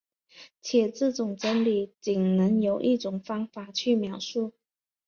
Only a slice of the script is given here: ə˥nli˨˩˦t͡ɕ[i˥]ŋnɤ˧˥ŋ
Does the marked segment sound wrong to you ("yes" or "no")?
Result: yes